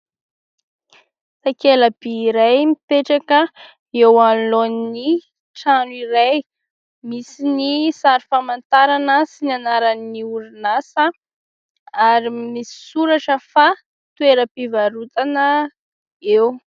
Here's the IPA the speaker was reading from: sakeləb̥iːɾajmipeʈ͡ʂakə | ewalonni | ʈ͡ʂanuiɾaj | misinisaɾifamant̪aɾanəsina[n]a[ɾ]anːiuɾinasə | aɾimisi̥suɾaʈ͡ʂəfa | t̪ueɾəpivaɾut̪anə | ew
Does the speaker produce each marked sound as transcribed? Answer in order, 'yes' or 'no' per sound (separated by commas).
yes, yes